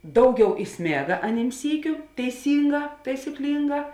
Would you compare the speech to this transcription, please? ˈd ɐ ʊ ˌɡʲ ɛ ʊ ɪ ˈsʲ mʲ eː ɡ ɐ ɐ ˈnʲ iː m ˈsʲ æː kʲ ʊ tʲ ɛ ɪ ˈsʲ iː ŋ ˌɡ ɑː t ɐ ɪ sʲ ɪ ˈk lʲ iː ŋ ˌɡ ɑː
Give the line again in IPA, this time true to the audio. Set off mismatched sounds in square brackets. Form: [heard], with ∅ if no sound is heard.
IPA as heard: ˈd ɐ ʊ ˌɡʲ ɛ ʊ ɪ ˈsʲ mʲ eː ɡ ɐ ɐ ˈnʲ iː m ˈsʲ [iː] kʲ ʊ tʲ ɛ ɪ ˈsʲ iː ŋ ˌɡ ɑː t ɐ ɪ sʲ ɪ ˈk lʲ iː ŋ ˌɡ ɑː